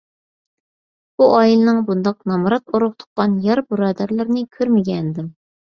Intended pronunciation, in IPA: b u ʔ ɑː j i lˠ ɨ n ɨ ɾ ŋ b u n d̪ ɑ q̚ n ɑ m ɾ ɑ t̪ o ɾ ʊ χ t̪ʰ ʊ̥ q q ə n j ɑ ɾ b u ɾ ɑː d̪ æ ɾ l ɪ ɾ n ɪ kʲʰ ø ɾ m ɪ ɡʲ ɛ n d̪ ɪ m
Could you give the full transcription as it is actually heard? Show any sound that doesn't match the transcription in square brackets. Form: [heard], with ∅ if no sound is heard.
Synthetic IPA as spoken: b u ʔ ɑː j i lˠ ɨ n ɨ [∅] ŋ b u n d̪ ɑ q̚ n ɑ m ɾ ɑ t̪ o ɾ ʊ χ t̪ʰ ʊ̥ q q [ɑ] n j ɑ ɾ b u ɾ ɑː d̪ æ ɾ l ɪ ɾ n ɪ kʲʰ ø ɾ m ɪ ɡʲ ɛ n d̪ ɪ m